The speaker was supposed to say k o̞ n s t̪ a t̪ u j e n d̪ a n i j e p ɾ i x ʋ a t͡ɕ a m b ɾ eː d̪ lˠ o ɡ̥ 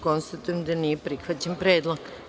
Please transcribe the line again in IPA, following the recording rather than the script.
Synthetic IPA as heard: k o̞ n s t̪ a t̪ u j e m d̪ a n i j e p ɾ i x ʋ a t͡ɕ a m p ɾ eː d̪ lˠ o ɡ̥